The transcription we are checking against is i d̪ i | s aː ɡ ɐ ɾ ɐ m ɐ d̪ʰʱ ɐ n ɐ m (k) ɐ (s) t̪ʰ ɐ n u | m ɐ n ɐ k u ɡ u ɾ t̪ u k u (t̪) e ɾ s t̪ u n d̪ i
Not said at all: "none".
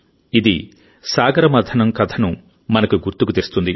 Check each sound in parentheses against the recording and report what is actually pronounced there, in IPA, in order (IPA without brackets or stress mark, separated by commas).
k, none, t̪